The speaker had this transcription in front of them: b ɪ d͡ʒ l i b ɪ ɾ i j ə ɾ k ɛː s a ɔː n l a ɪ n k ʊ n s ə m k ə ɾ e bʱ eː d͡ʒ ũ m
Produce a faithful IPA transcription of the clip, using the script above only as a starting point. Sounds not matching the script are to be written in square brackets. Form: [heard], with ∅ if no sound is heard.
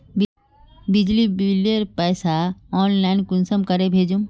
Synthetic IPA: b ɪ d͡ʒ l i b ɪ [l] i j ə ɾ [p] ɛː s a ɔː n l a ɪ n k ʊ n s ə m k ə ɾ e bʱ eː d͡ʒ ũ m